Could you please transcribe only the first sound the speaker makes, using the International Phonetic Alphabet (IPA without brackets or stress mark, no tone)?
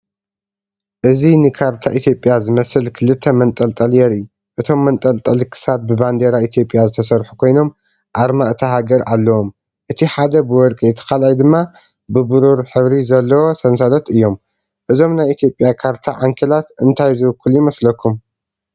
ʔ